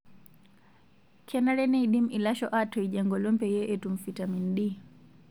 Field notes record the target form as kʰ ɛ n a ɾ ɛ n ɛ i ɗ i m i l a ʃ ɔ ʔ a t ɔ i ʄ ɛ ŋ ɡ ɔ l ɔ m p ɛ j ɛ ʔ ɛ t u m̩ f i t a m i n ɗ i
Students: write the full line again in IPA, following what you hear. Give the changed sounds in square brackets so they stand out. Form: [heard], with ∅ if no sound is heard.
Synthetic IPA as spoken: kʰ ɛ n a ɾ ɛ n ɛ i ɗ i m i l a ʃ ɔ ʔ a t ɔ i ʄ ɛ ŋ ɡ ɔ l ɔ m p ɛ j ɛ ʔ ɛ t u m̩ f i t a m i n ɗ i

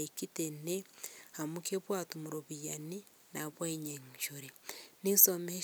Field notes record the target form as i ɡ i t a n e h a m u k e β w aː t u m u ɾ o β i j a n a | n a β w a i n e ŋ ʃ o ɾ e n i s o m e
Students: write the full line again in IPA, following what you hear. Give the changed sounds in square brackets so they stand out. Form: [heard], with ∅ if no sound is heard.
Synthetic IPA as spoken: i [k] i t [e] n e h a m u k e β w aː t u m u ɾ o β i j a n [i] | n a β w a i [ɲ] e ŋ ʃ o ɾ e n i s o m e

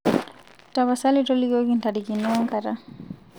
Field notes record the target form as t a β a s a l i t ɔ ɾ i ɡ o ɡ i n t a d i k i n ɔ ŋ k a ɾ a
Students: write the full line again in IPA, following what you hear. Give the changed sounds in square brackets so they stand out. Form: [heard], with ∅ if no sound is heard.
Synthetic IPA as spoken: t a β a s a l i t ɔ [l] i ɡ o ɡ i n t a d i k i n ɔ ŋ k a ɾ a

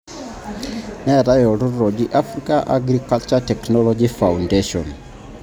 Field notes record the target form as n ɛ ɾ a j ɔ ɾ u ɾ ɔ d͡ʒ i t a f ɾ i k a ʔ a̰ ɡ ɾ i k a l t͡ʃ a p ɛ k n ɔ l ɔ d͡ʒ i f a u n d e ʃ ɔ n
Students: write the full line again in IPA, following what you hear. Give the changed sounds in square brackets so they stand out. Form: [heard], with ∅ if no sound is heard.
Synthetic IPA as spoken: n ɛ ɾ a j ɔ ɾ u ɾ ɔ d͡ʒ i [ʔ] a f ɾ i k a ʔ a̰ ɡ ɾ i k a l t͡ʃ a [t] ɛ k n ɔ l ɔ d͡ʒ i f a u n d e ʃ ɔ n

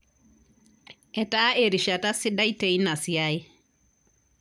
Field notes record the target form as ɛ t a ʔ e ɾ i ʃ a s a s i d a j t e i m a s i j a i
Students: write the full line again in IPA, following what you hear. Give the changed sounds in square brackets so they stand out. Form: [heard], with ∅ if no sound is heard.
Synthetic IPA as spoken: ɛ t a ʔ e ɾ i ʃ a [t] a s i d a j t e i [n] a s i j a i

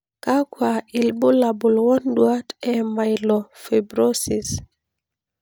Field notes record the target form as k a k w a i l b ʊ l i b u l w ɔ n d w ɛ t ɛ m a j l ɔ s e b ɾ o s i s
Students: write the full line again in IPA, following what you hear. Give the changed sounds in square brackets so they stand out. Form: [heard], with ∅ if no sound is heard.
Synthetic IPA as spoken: k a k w a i l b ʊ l [a] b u l w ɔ n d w [a] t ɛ m a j l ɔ [f] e b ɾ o s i s

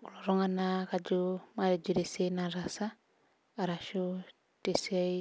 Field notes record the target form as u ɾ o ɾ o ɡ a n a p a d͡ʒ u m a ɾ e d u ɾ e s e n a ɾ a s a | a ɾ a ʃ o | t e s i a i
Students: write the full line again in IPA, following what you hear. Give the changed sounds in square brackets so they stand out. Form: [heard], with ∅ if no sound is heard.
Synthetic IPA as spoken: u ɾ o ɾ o [ŋ] a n a [k] a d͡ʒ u m a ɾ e [d͡ʒ] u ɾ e s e n a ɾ a s a | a ɾ a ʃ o | t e s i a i

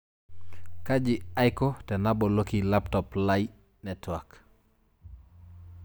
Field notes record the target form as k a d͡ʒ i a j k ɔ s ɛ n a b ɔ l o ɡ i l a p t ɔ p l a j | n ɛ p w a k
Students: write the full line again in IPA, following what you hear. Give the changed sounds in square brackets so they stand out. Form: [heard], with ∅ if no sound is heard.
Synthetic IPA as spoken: k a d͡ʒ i a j k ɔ [t] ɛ n a b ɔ l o [k] i l a p t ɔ p l a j | n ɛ [t] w a k

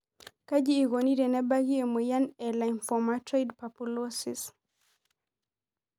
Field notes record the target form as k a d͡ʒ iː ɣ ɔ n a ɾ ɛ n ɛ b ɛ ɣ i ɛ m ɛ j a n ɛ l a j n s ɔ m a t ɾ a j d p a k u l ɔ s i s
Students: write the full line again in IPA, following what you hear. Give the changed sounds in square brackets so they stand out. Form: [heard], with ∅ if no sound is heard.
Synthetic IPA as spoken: k a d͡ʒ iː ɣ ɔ n [i] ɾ ɛ n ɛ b [a] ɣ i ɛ m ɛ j a n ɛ l a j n [f] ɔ m a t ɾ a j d p a [p] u l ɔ s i s

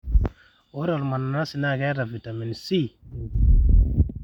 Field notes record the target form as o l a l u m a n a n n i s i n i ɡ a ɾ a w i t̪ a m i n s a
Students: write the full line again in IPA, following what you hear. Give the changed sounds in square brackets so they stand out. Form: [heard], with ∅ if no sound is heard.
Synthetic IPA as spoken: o [ɾ] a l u m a n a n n [a] s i n [a] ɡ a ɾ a [v] i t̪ a m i n s [i]

